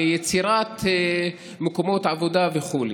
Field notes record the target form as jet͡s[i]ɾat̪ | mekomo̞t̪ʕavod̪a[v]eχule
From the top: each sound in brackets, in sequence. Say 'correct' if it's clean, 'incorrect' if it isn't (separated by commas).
correct, correct